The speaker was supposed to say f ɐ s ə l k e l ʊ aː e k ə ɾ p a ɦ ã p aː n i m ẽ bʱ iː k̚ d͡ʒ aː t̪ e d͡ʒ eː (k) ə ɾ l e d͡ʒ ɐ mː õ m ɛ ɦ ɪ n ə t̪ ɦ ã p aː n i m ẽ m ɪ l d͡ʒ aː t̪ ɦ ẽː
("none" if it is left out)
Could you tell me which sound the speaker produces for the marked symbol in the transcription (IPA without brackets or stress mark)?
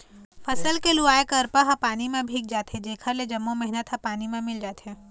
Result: kʰ